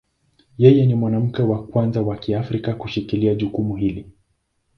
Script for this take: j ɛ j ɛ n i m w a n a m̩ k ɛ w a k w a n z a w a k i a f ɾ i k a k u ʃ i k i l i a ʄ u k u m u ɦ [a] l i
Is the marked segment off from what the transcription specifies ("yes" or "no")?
yes